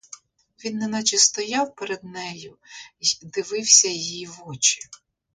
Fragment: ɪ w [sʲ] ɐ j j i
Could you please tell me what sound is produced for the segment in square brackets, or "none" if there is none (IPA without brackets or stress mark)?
sʲ